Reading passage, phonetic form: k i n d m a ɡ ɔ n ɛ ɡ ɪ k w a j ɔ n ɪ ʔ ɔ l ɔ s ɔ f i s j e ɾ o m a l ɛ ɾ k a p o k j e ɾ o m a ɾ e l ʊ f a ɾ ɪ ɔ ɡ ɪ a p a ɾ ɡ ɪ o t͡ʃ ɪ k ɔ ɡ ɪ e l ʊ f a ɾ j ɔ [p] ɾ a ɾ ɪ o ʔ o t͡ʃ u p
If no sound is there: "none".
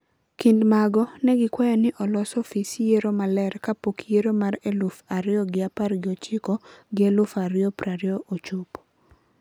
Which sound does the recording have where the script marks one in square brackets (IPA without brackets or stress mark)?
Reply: p